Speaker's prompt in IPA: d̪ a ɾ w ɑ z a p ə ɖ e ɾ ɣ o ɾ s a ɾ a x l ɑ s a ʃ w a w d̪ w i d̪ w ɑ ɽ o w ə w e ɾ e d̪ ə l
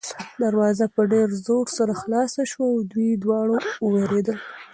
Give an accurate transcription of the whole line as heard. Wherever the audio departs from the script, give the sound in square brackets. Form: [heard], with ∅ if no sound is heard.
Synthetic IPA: d̪ a ɾ w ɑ z a p ə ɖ e ɾ [z] o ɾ s a ɾ a x l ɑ s a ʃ w a w d̪ w i d̪ w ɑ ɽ o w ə w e ɾ e d̪ ə l

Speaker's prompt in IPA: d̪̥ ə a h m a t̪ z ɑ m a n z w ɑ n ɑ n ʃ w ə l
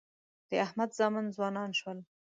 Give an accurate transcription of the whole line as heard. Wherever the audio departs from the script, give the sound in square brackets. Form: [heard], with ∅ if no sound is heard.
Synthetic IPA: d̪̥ ə a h m a [d̪] z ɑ m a n z w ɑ n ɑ n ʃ w ə l

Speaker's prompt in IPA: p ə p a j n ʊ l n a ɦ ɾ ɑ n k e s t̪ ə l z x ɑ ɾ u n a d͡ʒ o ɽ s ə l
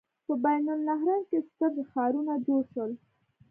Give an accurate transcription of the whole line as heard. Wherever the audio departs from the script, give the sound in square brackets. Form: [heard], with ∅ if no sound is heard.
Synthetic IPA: p ə [b] a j n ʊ l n a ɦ ɾ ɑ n k e s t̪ ə [ɾ] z x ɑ ɾ u n a d͡ʒ o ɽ [ʃ] ə l

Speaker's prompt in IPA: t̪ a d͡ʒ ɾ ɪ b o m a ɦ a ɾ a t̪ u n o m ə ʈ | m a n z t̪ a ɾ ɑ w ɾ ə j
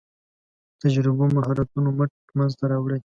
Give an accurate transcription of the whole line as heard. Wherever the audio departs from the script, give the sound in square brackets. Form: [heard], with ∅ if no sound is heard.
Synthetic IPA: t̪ a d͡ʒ ɾ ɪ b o m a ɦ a ɾ a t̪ u n o m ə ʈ | m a n z t̪ a ɾ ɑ w [ɽ] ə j

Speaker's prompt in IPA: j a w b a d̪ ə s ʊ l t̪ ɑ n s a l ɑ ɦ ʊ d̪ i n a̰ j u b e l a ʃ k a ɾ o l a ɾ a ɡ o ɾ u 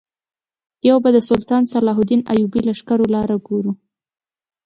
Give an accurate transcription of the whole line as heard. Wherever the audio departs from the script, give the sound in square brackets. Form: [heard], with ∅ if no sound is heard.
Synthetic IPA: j a w b a d̪ ə s ʊ l t̪ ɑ n s a l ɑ ɦ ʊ d̪ i n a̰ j u b [i] l a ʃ k a ɾ o l [ɑ] ɾ a ɡ o ɾ u

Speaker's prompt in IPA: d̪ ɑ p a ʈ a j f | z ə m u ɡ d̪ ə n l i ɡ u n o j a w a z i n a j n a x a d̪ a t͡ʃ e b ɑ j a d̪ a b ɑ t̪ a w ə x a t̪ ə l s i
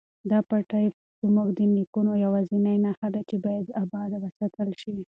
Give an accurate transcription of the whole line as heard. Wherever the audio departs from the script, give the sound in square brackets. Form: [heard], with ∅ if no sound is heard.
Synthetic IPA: d̪ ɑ p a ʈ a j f | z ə m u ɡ d̪ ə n l i [k] u n o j a w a z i n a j n a x a d̪ a t͡ʃ e b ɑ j a d̪ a b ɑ [d̪] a w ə [s] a t̪ ə l [ʃ] i

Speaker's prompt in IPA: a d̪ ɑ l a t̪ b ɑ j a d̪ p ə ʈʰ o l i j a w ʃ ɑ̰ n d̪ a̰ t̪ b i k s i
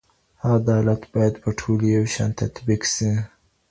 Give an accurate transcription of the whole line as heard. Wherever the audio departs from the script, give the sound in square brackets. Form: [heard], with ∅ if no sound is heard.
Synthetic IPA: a d̪ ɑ l a t̪ b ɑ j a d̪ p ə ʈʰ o l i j a w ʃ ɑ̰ n [t̪] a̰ t̪ b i k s i

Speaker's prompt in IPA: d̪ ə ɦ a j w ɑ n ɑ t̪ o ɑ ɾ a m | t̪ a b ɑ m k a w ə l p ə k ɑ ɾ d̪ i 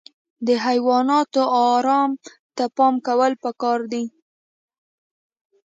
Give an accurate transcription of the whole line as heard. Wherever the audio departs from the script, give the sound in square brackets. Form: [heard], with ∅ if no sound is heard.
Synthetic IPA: d̪ ə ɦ a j w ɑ n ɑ t̪ o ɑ ɾ [ɑ] m | t̪ a [p] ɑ m k a w ə l p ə k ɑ ɾ d̪ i

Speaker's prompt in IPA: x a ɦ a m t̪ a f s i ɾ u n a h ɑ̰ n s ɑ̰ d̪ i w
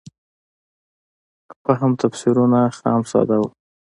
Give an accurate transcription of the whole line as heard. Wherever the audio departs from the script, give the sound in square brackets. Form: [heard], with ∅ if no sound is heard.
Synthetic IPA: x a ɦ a m t̪ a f s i ɾ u n a [x] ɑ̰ [m] s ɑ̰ d̪ [a] w

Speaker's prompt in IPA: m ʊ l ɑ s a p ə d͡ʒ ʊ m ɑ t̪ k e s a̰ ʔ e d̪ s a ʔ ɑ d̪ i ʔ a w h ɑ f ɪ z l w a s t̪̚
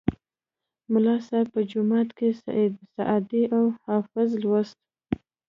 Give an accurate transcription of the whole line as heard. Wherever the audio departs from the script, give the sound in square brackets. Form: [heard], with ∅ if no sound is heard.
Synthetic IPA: m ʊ l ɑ s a p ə d͡ʒ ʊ m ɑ t̪ k e s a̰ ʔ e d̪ s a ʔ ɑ d̪ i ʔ a w h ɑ f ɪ z l w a s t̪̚

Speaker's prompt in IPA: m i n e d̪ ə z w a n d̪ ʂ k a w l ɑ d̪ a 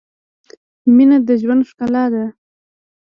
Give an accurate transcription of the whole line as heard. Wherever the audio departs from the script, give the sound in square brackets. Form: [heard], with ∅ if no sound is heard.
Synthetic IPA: m i n [a] d̪ ə [ʒ] w a n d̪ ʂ k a [∅] l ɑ d̪ a

